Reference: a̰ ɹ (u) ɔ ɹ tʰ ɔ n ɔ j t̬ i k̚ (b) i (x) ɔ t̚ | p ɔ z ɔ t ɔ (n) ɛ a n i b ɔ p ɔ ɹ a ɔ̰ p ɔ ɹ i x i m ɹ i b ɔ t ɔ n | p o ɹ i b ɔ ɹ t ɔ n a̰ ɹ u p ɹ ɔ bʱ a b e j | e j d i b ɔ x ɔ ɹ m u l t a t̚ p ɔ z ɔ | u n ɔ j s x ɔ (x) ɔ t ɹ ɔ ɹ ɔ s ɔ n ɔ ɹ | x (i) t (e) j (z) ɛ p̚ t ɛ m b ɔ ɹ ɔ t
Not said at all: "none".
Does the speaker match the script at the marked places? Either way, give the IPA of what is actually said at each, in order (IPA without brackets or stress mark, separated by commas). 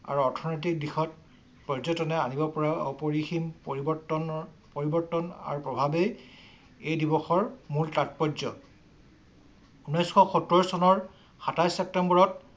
u, d, x, n, x, a, a, s